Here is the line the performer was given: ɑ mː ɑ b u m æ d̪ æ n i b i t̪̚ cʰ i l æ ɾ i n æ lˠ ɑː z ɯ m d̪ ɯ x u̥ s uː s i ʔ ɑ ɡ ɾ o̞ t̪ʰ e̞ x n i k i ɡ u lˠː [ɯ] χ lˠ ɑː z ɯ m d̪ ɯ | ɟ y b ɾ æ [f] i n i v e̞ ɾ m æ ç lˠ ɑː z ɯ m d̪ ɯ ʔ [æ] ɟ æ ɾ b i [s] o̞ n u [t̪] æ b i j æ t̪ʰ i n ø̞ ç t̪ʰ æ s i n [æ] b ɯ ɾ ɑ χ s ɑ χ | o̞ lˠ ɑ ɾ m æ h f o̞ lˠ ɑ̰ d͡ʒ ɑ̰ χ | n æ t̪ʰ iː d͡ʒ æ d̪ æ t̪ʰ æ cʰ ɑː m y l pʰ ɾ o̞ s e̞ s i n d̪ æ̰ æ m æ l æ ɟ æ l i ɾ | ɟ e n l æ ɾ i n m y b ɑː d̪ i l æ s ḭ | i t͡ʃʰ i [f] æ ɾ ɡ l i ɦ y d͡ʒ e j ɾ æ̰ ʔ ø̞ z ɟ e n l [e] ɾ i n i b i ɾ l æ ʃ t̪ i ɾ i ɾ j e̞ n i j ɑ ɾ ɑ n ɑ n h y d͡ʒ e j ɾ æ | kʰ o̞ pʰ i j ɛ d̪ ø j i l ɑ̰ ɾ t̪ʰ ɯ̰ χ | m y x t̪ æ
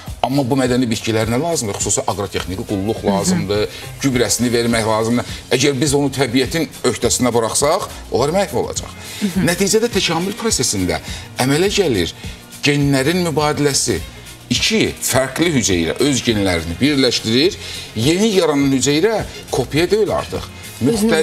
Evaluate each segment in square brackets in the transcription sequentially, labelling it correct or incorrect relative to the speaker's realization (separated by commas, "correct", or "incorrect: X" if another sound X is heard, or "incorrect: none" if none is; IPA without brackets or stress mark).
incorrect: u, incorrect: s, correct, incorrect: z, incorrect: t̪ʰ, correct, correct, incorrect: æ